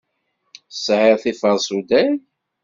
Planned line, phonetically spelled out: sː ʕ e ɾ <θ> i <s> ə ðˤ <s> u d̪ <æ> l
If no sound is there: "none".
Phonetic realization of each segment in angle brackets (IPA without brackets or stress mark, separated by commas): θ, f, s, æ